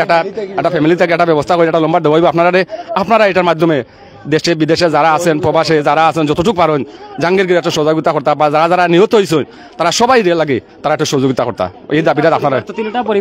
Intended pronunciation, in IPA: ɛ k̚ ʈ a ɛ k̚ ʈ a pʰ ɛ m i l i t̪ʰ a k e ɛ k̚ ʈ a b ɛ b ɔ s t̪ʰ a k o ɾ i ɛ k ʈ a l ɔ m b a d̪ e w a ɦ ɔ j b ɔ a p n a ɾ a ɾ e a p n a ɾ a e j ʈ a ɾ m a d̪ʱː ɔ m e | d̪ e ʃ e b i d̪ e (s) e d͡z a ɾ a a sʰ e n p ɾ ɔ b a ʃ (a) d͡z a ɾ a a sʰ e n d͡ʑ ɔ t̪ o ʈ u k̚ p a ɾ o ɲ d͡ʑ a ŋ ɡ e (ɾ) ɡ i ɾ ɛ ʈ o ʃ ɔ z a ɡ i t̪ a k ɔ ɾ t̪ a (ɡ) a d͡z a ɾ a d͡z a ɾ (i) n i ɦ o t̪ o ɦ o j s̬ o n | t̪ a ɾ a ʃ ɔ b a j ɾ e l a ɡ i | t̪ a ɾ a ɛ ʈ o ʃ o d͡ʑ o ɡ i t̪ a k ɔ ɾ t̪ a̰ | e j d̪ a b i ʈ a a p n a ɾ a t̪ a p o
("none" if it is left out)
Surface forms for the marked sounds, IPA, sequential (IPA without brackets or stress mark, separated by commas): ʃ, e, ɾ, b, a